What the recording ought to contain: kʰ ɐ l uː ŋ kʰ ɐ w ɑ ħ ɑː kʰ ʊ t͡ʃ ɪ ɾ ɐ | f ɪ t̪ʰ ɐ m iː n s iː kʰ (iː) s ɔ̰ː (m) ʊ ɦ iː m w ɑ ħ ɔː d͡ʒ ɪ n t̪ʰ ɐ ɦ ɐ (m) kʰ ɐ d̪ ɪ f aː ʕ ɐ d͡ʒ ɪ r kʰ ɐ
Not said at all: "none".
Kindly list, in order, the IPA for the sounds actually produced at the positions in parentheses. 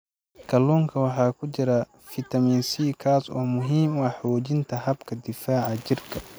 aː, m, b

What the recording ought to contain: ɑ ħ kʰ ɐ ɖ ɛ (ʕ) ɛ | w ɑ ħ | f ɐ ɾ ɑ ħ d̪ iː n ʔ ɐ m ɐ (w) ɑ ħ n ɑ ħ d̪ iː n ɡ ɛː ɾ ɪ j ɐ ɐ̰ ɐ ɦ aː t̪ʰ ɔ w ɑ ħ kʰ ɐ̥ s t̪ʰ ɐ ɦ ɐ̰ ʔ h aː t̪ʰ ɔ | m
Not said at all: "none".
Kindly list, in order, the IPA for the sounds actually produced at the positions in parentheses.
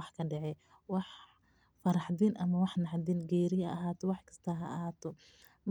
ʕ, w

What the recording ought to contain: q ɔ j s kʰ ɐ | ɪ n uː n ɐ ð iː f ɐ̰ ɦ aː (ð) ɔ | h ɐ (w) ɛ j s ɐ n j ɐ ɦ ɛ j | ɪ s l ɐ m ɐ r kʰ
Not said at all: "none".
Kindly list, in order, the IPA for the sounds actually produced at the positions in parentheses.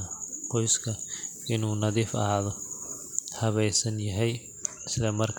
ð, β

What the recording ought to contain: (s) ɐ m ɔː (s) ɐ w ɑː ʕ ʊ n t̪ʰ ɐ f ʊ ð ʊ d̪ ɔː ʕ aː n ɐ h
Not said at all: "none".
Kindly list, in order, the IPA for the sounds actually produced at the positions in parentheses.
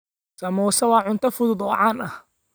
s, s

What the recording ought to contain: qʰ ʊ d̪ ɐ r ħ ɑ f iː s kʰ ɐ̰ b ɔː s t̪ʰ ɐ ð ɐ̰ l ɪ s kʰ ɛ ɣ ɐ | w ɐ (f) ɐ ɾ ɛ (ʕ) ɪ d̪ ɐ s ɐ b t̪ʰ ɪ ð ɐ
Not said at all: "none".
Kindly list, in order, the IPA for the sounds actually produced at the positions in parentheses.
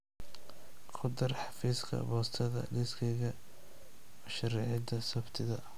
ʃ, ʕ

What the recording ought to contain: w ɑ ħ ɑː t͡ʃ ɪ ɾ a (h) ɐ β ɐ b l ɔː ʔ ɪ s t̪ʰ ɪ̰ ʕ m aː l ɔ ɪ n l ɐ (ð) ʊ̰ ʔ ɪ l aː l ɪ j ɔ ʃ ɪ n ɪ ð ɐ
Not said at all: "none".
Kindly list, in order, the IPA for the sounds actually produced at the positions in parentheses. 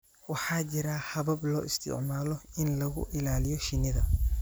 h, ɣ

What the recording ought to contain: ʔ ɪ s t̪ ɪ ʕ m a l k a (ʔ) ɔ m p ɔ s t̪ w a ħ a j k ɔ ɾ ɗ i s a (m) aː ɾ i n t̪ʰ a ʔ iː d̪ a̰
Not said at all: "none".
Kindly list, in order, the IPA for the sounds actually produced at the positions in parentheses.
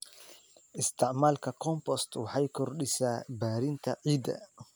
k, b

